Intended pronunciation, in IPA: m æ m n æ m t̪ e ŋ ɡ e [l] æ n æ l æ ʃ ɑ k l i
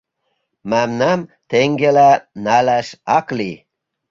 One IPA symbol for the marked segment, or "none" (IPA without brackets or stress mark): l